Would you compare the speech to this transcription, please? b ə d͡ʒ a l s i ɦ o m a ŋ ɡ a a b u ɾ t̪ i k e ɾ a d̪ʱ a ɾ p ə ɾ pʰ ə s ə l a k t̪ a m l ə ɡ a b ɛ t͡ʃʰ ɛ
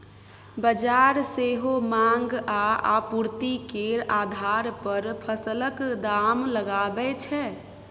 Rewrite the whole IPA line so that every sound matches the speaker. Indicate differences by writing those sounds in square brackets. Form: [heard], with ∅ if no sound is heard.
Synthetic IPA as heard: b ə d͡ʒ a [ɾ] s [e] ɦ o m a ŋ ɡ a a [p] u ɾ t̪ i k e ɾ a d̪ʱ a ɾ p ə ɾ pʰ ə s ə l [ə] k [d̪] a m l ə ɡ a b ɛ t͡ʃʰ ɛ